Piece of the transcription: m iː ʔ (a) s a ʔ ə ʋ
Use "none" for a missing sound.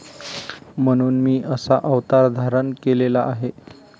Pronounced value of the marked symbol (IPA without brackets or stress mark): ə